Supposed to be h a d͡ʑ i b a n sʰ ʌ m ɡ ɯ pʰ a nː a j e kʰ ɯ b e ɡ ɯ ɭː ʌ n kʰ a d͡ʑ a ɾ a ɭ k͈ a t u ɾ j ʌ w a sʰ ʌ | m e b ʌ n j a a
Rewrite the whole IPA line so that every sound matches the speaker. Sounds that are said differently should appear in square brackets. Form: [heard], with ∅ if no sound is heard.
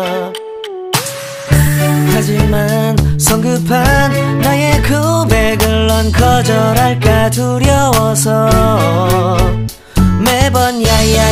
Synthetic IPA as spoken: h a d͡ʑ i [m] a n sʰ ʌ [ŋ] ɡ ɯ pʰ a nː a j e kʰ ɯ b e ɡ ɯ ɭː ʌ n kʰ [ʌ] d͡ʑ [ʌ] ɾ a ɭ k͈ a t u ɾ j ʌ w [ʌ] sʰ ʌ | m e b ʌ n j a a